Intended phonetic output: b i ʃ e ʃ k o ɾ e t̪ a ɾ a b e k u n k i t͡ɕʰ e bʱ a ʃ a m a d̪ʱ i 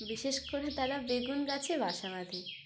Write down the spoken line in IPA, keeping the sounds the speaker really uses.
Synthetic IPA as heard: b i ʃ e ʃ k o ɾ e t̪ a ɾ a b e ɡ u n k a t͡ɕʰ e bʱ a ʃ a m a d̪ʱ i